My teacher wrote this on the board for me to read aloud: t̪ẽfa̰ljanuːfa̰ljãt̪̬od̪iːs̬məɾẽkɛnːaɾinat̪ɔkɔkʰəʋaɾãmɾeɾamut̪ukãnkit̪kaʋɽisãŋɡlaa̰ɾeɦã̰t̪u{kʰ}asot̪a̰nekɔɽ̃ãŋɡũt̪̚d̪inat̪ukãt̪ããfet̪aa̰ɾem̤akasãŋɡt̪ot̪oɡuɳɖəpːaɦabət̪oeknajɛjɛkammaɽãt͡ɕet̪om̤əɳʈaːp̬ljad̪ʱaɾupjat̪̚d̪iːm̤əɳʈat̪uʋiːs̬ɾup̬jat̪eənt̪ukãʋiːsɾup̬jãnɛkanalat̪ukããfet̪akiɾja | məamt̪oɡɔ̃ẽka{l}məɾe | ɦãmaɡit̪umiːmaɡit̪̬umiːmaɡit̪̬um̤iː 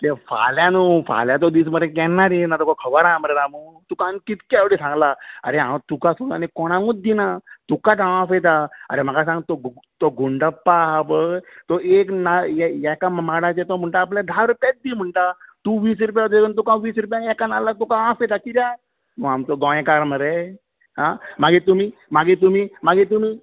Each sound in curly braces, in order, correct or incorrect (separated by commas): incorrect, incorrect